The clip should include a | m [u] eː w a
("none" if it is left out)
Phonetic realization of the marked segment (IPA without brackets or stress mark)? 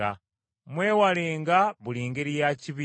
w